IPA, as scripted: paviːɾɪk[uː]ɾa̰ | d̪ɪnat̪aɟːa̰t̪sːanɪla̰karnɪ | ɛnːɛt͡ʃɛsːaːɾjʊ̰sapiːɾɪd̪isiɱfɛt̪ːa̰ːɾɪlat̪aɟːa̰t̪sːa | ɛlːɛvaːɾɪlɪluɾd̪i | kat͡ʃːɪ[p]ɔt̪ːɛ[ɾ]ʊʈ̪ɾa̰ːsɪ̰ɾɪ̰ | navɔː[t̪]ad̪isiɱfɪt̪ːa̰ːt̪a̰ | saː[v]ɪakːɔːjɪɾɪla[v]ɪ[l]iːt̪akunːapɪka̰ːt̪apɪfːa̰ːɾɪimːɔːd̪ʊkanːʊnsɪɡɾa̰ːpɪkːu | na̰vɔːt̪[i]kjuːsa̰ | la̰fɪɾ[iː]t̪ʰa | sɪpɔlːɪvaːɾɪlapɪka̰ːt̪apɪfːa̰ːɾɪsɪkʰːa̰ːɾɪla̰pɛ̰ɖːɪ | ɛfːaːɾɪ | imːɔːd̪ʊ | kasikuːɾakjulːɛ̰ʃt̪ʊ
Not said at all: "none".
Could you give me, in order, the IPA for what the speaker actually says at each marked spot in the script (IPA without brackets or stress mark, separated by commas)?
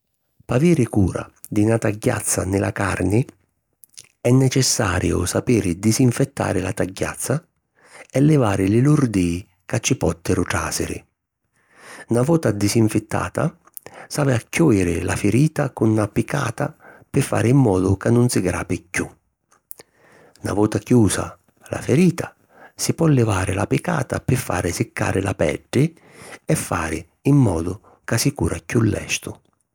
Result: uː, p, ɾ, t̪, v, f, ɾ, a, iː